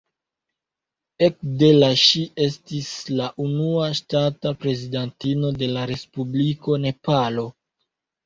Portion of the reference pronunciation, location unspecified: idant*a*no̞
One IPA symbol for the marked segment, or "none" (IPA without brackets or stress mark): i